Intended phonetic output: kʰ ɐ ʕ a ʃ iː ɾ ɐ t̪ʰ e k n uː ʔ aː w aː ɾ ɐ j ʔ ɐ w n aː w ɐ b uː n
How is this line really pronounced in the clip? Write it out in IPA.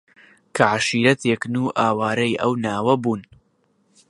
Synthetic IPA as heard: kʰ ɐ ʕ a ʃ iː ɾ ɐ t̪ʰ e k n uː ʔ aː w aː ɾ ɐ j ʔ ɐ w n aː w ɐ b uː n